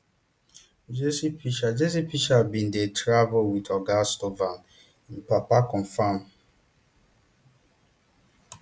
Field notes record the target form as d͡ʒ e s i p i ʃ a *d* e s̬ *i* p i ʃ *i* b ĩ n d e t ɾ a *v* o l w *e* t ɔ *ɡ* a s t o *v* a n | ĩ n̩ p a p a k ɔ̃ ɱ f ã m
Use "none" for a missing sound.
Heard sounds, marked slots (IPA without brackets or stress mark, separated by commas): d͡ʒ, i, a, v, i, ɡ, v